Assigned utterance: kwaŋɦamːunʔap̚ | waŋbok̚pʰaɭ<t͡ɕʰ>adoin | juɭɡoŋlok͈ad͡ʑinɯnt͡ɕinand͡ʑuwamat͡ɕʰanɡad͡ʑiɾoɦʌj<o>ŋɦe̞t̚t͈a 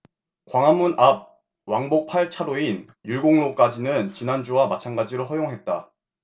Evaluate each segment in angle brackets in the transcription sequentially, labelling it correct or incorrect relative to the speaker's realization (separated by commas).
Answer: correct, correct